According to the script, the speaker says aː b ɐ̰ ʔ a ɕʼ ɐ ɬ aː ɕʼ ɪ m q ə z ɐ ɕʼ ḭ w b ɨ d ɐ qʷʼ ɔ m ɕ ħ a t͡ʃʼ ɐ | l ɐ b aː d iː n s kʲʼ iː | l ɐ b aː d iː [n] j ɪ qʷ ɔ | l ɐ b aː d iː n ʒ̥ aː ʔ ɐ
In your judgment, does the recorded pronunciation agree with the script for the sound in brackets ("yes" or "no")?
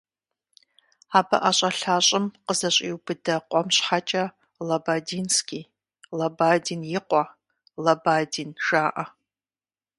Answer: yes